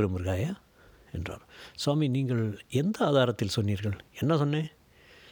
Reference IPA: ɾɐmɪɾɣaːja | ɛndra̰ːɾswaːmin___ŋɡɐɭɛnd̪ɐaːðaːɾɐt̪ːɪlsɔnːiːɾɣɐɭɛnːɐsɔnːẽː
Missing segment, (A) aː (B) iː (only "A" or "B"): B